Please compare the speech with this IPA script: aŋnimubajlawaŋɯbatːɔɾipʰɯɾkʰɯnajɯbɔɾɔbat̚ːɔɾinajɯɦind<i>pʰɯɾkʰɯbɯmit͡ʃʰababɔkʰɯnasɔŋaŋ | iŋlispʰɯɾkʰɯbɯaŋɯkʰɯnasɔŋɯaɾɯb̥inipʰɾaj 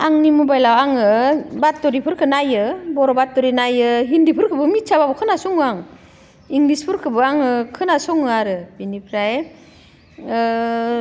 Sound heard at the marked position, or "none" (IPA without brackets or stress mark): i